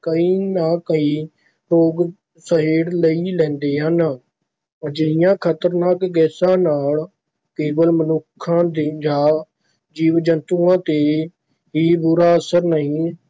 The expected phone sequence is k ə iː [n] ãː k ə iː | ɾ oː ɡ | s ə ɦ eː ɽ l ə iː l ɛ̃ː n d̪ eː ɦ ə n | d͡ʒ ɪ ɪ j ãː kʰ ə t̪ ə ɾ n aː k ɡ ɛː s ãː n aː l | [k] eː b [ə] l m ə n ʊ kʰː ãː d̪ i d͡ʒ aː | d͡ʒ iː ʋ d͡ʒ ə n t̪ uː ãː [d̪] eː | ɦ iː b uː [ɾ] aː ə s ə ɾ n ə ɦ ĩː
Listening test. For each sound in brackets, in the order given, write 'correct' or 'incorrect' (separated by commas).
correct, correct, correct, incorrect, correct